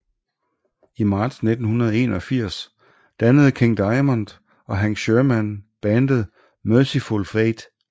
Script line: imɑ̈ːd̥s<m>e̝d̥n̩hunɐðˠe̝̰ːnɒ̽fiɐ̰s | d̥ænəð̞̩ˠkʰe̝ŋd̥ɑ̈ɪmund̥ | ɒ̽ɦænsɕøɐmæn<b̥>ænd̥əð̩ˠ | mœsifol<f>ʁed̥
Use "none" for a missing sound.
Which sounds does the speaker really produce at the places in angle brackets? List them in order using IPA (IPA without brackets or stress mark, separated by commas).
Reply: n, b̥, f